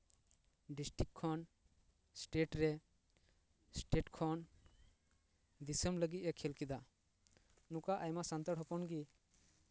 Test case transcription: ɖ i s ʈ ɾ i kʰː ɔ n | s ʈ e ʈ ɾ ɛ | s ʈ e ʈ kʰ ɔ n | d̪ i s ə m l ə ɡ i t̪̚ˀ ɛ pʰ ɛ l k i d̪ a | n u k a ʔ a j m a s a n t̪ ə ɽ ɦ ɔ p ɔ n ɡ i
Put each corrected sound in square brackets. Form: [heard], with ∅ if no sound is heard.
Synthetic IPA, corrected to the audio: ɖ i s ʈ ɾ i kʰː ɔ n | s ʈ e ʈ ɾ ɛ | s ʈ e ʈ kʰ ɔ n | d̪ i s ə m l ə ɡ i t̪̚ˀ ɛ [kʰ] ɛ l k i d̪ a | n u k a ʔ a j m a s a n t̪ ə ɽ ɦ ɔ p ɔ n ɡ i